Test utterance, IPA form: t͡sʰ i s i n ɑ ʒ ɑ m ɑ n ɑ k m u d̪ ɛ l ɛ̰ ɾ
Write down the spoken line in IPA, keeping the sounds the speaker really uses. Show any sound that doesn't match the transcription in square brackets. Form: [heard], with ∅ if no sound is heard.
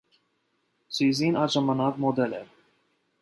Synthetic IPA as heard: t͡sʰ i [z] i n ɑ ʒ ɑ m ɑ n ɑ k m [ɔ] d̪ ɛ l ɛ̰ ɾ